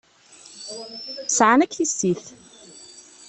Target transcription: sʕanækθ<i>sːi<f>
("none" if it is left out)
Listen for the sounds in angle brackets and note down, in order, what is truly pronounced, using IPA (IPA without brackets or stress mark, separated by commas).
i, θ